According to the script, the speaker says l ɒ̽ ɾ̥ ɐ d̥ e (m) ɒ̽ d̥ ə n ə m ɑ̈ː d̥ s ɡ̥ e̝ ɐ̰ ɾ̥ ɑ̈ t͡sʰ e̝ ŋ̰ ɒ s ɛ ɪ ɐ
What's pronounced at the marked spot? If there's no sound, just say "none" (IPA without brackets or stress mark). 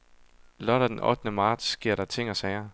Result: n